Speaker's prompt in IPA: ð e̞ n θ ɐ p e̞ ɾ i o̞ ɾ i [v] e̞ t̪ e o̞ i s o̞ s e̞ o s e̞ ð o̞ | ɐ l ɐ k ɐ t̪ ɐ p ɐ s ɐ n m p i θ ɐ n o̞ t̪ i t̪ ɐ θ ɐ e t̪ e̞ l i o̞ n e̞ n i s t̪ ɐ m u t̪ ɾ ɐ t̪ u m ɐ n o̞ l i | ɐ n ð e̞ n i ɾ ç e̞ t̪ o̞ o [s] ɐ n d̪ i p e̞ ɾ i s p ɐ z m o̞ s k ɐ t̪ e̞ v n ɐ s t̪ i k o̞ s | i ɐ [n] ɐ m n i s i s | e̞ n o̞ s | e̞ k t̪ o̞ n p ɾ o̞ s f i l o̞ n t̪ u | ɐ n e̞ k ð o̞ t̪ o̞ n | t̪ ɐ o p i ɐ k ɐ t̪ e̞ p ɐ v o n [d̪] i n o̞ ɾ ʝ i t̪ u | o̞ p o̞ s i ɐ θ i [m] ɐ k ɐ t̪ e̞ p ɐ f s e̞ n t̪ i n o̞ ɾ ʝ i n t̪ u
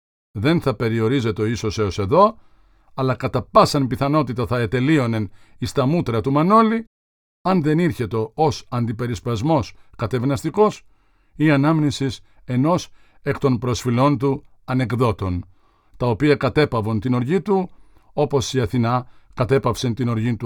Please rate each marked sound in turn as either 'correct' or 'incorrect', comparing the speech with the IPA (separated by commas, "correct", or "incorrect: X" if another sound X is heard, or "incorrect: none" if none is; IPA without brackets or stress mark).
incorrect: z, correct, correct, incorrect: t̪, incorrect: n